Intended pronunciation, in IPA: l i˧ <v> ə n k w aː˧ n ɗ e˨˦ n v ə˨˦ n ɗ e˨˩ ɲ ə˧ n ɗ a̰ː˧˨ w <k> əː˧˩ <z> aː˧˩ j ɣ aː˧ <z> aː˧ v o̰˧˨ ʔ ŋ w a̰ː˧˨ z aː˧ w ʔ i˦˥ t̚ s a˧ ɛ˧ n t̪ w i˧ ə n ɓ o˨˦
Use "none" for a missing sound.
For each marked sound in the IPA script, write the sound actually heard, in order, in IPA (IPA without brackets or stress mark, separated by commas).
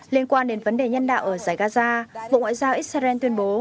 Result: none, ʔ, z, z